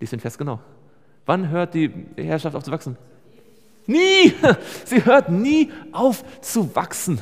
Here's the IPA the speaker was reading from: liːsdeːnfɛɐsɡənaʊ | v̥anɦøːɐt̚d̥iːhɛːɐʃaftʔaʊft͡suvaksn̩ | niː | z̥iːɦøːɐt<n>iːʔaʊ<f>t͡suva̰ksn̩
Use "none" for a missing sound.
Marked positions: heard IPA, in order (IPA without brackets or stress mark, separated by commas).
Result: n, f